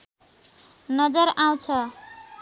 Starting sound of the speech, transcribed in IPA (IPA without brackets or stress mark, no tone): n